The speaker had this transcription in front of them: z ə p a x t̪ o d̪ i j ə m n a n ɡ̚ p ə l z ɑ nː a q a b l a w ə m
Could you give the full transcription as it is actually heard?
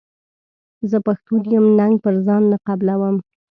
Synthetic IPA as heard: z ə p a x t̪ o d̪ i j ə m n a ŋ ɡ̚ p ə ɾ z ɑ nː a q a b l a w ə m